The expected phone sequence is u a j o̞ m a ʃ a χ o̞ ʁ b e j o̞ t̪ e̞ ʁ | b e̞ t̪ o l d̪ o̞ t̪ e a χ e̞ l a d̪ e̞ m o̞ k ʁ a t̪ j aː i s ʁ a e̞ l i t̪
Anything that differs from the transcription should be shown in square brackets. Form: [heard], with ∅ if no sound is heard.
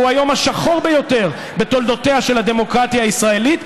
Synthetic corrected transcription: u a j o̞ m a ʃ a χ o̞ ʁ b e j o̞ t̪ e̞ ʁ | b e̞ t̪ o l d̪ o̞ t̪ e a [ʃ] e̞ l a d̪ e̞ m o̞ k ʁ a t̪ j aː i s ʁ a e̞ l i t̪